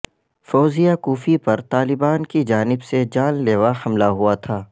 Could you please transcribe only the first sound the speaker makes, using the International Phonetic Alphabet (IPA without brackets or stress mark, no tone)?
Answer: f